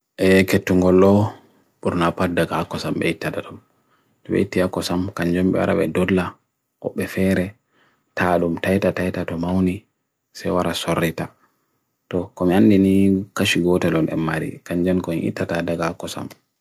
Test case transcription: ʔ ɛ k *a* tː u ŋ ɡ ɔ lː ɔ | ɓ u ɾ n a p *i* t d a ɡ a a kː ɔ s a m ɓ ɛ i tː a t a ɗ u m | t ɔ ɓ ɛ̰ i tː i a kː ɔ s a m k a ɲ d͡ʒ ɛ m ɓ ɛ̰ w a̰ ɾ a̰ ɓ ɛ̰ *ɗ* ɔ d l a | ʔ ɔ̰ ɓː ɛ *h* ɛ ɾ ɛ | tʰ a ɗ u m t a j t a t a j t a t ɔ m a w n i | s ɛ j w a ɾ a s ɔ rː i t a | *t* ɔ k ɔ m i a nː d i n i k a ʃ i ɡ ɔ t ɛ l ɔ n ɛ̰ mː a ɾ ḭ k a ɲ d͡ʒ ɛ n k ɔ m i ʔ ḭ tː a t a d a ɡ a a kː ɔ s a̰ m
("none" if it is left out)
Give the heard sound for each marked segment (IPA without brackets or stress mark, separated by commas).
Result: e, a, d, f, t